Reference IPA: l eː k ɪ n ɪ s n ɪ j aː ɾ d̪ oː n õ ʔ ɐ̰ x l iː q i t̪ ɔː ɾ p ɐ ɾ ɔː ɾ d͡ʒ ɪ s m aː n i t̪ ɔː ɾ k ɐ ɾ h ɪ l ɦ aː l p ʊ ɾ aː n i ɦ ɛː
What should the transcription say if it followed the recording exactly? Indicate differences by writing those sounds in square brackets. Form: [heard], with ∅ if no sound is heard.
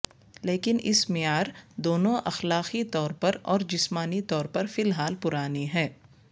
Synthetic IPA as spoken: l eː k ɪ n ɪ s [m] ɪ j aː ɾ d̪ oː n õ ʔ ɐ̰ x l [aː] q i t̪ ɔː ɾ p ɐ ɾ ɔː ɾ d͡ʒ ɪ s m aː n i t̪ ɔː ɾ [p] ɐ ɾ [f] ɪ l ɦ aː l p ʊ ɾ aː n i ɦ ɛː